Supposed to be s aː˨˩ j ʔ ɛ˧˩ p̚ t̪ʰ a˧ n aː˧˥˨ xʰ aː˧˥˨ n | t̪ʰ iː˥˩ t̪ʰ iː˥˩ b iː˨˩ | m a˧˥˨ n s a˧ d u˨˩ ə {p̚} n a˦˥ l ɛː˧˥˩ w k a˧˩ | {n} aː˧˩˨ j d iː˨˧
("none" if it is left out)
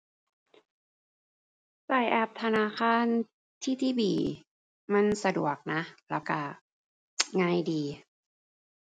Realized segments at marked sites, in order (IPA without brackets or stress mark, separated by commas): k̚, ŋ